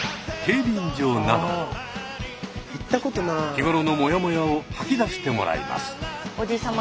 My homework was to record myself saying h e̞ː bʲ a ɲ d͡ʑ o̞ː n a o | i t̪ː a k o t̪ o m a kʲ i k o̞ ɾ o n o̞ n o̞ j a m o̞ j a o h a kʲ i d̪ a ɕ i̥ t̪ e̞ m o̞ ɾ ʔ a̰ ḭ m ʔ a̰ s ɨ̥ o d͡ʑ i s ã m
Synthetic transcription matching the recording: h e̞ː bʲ i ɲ d͡ʑ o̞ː n a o | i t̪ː a k o t̪ o n a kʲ i ɡ o̞ ɾ o n o̞ m o̞ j a m o̞ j a o h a kʲ i d̪ a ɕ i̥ t̪ e̞ m o̞ ɾ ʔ a̰ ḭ m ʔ a̰ s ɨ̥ o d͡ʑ i s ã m